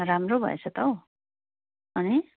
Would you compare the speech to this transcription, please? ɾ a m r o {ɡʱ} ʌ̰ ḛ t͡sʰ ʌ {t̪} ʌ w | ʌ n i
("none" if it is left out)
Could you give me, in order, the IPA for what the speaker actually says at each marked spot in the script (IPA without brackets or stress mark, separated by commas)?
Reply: bʱ, t̪